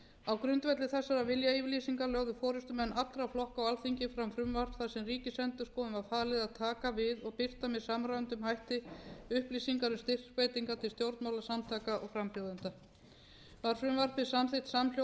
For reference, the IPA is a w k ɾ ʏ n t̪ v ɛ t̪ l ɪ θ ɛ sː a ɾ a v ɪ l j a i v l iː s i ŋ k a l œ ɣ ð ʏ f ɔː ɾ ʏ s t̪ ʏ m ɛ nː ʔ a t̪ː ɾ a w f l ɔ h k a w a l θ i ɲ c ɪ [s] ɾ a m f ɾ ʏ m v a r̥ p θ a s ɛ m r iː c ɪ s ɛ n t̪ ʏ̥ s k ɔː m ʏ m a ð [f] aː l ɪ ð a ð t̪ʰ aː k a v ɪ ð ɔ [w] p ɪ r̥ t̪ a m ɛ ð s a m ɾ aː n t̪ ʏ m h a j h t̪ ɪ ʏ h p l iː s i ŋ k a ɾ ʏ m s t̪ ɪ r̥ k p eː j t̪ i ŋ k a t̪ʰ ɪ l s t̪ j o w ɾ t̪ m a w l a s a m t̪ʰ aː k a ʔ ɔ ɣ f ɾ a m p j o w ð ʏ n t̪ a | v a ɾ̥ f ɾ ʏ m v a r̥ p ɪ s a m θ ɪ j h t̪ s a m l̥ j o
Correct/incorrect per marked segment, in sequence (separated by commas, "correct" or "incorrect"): incorrect, correct, incorrect